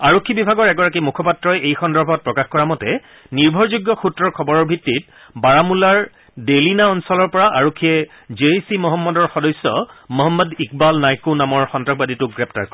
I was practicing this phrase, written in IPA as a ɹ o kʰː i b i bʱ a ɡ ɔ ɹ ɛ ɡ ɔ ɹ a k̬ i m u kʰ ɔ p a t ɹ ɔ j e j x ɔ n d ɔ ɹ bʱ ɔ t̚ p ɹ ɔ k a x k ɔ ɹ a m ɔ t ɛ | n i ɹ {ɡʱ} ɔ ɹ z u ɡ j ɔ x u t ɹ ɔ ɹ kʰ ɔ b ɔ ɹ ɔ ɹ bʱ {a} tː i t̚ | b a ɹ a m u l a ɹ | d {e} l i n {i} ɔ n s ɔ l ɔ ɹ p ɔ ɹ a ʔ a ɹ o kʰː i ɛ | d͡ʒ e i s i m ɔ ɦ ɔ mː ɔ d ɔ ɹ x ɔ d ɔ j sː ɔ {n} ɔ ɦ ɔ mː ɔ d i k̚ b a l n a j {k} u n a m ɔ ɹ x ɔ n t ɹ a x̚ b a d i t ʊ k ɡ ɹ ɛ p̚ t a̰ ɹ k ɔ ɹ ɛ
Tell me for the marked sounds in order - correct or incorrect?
incorrect, incorrect, correct, incorrect, incorrect, correct

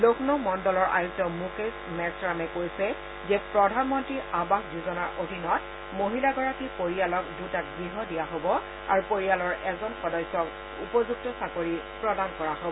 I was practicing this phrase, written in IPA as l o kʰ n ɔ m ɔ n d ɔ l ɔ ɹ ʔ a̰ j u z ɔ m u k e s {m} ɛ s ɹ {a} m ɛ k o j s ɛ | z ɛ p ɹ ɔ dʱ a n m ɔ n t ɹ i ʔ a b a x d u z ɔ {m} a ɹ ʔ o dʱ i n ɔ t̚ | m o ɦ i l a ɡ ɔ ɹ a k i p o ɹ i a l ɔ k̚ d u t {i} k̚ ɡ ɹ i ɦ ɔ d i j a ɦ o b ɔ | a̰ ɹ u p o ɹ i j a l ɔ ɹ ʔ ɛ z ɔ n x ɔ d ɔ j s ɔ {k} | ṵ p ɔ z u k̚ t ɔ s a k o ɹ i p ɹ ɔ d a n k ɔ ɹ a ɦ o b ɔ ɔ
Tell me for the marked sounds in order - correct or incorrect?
correct, correct, incorrect, incorrect, correct

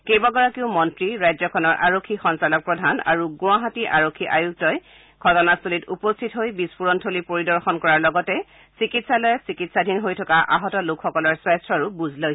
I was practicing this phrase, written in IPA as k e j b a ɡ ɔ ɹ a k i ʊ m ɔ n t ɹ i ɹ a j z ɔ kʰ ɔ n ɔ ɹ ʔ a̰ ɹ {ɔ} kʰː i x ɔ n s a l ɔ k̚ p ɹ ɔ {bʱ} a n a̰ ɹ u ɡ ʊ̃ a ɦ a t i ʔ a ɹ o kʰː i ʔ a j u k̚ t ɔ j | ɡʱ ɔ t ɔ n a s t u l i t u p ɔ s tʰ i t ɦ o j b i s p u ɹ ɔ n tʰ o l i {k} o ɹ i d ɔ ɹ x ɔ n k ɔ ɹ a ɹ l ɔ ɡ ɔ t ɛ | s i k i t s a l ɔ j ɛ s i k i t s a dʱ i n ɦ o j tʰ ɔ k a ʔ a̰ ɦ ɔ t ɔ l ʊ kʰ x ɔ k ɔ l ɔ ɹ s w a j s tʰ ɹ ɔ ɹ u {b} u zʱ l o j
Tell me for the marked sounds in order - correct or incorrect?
incorrect, incorrect, incorrect, correct

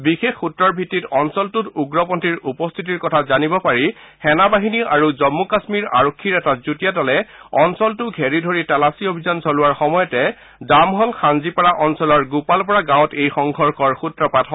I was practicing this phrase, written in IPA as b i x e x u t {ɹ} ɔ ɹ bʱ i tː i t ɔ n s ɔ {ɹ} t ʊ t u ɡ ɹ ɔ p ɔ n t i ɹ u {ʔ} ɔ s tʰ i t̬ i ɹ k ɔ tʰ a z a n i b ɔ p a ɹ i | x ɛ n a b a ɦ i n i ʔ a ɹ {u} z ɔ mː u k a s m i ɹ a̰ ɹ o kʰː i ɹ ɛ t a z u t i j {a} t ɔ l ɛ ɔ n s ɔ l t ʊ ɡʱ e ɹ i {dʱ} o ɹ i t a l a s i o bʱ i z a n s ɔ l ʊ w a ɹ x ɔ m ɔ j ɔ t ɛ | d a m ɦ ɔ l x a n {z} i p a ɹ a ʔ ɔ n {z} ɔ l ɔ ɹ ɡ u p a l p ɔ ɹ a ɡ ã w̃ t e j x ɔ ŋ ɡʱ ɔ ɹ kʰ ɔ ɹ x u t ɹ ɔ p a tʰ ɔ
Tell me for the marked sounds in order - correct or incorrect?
correct, incorrect, incorrect, correct, correct, correct, correct, incorrect

